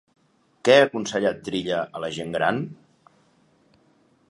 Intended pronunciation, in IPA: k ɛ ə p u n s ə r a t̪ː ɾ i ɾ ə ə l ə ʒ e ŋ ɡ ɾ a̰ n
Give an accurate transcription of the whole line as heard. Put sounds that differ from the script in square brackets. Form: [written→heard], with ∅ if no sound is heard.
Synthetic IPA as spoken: k ɛ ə [p→k] u n s ə [r→ʎ] a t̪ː ɾ i [ɾ→ʎ] ə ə l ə ʒ e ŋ ɡ ɾ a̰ n